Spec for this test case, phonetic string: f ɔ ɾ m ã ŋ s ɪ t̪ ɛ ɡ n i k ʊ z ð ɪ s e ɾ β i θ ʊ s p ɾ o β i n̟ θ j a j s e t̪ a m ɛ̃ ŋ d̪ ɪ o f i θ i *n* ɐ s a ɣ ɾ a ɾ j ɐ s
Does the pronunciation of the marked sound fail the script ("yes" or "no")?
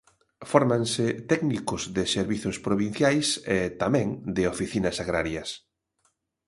no